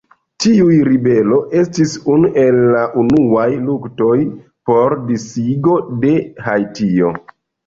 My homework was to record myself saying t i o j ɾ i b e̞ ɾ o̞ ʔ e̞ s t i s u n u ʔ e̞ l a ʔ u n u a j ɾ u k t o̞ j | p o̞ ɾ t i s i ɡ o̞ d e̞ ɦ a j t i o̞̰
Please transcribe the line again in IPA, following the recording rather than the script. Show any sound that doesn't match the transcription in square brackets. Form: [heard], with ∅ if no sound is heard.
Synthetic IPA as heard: t i [u] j ɾ i b e̞ [l] o̞ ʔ e̞ s t i s u n u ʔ e̞ [lː] a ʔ u n u a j [l] u k t o̞ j | p o̞ ɾ [d] i s i ɡ o̞ d e̞ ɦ a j t i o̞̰